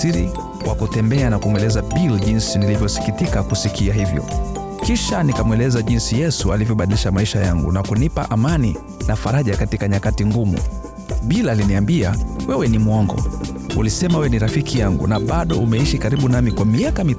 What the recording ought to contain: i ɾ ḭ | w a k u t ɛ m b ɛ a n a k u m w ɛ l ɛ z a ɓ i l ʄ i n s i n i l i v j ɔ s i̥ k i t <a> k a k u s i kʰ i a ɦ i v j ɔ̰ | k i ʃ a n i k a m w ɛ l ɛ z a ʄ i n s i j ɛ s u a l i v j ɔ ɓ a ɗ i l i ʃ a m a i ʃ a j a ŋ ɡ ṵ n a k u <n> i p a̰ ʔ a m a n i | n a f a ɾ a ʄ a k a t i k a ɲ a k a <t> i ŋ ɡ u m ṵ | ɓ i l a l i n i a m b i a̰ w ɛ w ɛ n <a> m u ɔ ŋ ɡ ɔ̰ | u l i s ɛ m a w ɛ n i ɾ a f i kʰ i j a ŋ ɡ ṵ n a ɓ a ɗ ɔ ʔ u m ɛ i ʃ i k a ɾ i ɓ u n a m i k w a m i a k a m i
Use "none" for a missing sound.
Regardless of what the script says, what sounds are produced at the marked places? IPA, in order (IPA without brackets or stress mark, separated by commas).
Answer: i, n, t, i